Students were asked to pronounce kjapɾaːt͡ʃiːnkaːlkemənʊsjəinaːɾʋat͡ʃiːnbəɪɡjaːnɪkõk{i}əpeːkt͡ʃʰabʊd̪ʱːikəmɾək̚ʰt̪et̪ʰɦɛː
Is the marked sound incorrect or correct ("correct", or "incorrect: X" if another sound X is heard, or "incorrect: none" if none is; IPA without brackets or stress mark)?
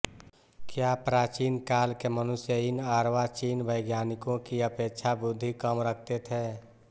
correct